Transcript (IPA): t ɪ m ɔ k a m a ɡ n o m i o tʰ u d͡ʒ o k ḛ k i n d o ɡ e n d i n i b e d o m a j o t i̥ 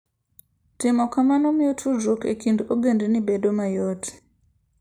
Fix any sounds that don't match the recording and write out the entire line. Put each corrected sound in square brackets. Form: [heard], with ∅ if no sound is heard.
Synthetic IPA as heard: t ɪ m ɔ k a m a [∅] n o m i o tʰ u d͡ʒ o k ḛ k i n d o ɡ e n d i n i b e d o m a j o t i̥